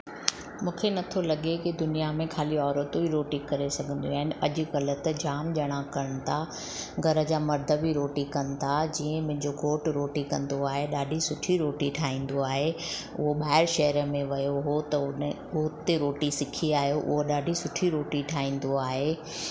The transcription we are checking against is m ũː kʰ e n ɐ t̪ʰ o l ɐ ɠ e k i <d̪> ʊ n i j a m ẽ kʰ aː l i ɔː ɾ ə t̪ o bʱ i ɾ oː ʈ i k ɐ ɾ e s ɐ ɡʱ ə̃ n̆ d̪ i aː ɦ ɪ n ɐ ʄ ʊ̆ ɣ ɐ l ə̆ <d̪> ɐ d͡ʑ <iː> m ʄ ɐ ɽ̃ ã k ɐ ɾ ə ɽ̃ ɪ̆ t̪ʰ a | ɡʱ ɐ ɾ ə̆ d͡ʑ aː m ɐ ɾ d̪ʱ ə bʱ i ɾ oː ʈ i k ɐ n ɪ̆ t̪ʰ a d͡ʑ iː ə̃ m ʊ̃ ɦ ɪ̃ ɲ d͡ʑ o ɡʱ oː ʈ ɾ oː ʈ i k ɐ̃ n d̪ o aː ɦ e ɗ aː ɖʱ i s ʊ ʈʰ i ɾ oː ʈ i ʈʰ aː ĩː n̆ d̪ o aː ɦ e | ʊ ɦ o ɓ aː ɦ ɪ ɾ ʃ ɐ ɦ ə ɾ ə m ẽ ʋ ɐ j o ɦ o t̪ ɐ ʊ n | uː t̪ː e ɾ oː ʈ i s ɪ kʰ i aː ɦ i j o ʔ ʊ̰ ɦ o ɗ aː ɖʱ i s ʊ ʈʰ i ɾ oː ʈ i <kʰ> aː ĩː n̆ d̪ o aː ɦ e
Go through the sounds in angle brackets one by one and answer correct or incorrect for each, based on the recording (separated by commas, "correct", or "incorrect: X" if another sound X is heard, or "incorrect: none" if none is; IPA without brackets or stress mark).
correct, incorrect: t̪, incorrect: aː, incorrect: ʈʰ